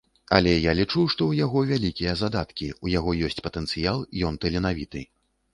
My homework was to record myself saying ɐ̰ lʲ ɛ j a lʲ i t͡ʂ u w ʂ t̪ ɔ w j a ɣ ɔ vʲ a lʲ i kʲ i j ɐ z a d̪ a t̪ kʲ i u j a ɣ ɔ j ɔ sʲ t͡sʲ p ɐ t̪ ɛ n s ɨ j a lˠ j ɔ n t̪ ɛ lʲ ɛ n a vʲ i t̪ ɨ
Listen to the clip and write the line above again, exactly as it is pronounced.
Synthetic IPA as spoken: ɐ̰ lʲ ɛ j a lʲ i t͡ʂ u w ʂ t̪ ɔ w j a ɣ ɔ vʲ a lʲ i kʲ i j ɐ z a d̪ a t̪ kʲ i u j a ɣ ɔ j ɔ sʲ t͡sʲ p ɐ t̪ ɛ n s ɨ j a lˠ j ɔ n t̪ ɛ lʲ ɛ n a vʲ i t̪ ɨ